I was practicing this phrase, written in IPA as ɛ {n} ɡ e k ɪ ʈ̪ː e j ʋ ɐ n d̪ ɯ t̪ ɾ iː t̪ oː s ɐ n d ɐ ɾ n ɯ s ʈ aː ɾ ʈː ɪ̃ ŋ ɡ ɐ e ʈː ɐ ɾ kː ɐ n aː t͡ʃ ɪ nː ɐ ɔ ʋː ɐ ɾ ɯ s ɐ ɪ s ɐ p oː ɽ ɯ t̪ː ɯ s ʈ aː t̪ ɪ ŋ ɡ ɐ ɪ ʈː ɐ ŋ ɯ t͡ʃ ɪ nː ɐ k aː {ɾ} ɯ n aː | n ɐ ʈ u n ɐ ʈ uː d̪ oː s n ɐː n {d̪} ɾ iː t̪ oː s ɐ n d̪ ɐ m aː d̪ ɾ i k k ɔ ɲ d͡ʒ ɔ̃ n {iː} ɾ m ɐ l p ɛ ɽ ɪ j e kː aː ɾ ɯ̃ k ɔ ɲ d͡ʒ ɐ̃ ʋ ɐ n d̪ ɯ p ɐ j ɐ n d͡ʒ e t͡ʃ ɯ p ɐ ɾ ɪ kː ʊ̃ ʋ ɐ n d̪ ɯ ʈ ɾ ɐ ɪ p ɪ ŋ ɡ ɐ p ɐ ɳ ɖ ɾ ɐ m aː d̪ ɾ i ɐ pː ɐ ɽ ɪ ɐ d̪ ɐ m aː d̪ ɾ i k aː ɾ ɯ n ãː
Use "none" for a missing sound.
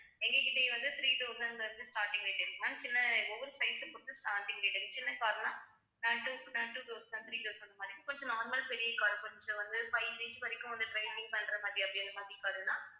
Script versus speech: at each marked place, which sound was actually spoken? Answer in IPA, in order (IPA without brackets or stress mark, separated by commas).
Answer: ŋ, ɾ, t̪, aː